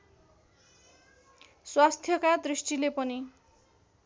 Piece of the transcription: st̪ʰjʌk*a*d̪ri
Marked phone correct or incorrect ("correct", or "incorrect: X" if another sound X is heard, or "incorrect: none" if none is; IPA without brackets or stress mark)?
correct